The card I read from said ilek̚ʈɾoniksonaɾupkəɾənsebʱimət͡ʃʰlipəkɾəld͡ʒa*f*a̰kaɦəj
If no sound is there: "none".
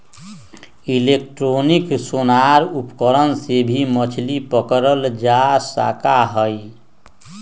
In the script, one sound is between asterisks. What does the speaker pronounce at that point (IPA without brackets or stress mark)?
s